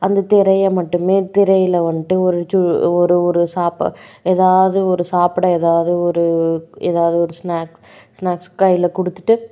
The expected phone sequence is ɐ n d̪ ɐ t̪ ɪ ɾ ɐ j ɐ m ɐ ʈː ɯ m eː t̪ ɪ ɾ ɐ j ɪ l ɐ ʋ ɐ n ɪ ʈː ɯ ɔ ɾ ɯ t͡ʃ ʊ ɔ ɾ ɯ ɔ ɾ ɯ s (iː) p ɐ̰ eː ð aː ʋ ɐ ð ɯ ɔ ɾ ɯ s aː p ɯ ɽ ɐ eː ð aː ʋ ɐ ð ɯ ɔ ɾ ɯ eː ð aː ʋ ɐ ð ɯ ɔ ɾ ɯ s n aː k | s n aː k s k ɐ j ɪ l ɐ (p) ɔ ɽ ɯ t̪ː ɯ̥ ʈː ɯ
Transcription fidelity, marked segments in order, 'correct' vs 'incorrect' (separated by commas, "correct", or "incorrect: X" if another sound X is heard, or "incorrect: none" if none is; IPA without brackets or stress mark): incorrect: aː, incorrect: k